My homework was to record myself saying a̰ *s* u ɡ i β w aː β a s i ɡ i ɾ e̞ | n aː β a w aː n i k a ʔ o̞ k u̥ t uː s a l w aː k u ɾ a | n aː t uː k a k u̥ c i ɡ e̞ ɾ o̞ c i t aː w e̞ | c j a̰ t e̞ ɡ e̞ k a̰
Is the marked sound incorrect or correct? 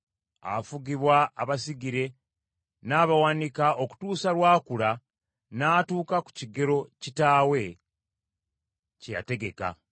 incorrect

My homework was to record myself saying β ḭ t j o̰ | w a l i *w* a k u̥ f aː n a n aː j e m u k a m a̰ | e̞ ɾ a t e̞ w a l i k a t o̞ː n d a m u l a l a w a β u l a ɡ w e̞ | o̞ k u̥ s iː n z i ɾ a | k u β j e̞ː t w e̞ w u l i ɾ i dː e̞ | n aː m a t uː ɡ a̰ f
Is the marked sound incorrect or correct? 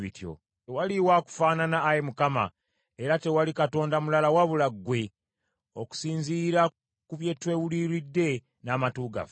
correct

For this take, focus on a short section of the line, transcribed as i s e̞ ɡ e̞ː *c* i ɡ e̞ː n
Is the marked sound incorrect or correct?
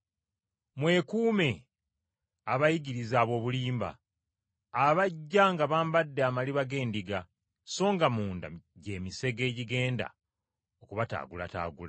incorrect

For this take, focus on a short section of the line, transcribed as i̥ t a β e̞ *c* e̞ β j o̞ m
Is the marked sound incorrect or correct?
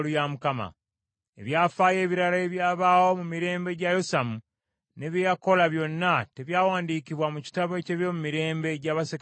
correct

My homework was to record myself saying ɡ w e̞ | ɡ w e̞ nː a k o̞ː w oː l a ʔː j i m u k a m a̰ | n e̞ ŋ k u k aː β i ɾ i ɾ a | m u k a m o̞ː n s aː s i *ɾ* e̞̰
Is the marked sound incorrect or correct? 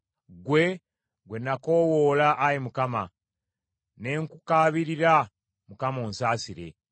correct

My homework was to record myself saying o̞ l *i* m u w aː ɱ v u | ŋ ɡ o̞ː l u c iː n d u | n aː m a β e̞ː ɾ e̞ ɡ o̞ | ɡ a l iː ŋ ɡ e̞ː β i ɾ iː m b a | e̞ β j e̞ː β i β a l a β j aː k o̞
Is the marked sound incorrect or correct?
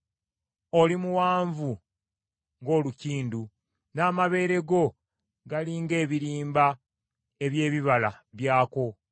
correct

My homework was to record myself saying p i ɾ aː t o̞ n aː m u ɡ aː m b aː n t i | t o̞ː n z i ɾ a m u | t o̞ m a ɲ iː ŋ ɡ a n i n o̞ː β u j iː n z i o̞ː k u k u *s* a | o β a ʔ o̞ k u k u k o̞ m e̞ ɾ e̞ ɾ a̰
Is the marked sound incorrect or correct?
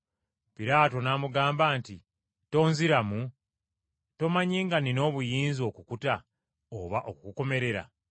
incorrect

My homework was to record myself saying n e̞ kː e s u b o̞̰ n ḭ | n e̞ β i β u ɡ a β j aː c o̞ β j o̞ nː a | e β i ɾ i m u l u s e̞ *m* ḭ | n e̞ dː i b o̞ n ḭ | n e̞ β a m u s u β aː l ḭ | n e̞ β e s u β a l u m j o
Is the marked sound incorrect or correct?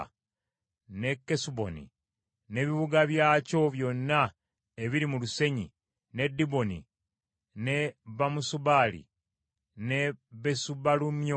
incorrect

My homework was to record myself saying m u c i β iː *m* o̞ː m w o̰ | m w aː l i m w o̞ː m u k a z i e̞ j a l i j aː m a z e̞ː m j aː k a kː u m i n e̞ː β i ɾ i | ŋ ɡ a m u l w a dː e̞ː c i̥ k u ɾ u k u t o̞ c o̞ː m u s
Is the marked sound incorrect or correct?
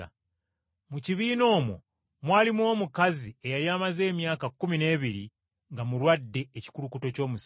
incorrect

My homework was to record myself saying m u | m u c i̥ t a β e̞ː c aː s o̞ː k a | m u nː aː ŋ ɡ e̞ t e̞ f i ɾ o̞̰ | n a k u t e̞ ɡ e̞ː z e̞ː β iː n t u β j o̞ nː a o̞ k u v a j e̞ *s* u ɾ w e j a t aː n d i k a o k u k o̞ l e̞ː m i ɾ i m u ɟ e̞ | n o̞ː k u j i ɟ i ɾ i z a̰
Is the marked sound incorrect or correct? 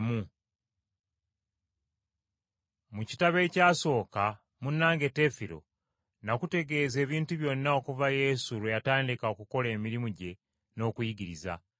correct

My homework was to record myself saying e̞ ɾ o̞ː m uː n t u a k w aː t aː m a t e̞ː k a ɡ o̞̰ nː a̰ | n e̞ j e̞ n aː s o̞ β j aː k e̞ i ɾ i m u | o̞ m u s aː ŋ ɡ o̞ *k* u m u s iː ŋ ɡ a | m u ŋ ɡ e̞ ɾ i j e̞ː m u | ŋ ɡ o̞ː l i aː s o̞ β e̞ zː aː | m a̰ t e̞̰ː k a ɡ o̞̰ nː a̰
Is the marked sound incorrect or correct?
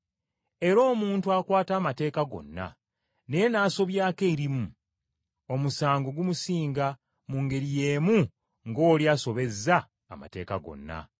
incorrect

